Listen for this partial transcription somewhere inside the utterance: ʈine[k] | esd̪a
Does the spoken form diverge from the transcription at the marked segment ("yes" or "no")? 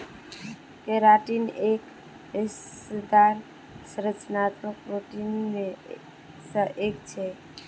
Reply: no